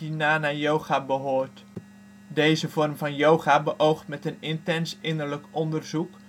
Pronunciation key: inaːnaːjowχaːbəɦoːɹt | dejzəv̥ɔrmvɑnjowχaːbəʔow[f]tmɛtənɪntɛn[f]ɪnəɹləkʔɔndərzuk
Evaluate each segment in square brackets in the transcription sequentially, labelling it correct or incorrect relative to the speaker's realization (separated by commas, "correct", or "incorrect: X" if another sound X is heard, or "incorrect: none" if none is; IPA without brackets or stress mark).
incorrect: χ, incorrect: s